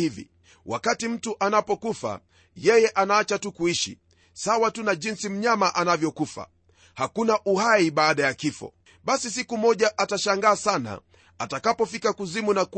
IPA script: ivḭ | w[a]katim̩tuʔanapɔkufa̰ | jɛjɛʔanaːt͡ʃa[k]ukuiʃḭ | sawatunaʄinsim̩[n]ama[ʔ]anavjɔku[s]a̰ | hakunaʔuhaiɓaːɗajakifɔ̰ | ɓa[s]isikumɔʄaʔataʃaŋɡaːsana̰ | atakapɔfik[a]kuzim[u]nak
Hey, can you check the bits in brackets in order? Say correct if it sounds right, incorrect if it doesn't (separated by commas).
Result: correct, incorrect, incorrect, correct, incorrect, correct, correct, correct